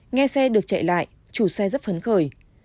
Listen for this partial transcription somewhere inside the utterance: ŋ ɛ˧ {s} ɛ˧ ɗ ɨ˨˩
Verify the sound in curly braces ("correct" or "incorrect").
correct